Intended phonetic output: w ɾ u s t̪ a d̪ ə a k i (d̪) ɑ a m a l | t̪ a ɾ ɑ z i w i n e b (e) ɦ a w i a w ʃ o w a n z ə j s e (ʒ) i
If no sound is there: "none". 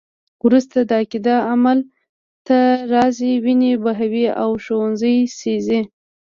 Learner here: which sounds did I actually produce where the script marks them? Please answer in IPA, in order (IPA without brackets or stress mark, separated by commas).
d̪, a, z